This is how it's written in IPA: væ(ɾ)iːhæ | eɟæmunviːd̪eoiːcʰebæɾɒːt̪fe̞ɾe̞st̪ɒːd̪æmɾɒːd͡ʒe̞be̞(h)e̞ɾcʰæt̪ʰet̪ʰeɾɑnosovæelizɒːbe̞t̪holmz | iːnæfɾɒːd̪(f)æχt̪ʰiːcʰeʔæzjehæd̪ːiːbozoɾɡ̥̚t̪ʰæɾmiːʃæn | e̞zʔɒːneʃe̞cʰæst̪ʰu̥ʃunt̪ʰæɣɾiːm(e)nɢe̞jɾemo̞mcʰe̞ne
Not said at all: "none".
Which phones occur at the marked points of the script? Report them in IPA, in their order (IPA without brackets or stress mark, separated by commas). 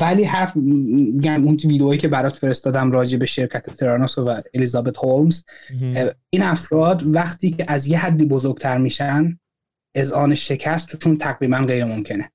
l, ʃ, v, æ